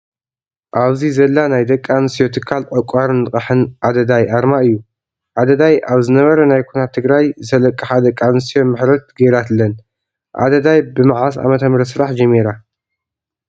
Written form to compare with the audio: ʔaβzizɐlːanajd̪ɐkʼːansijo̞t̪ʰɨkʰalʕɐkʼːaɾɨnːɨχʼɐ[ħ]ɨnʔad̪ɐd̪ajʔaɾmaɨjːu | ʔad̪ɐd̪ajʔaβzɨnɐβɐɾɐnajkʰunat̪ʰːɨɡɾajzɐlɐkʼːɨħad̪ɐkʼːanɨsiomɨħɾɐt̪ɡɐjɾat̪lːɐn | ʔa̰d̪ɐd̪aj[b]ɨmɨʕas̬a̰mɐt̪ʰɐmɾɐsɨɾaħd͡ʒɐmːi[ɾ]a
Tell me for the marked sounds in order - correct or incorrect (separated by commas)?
correct, correct, correct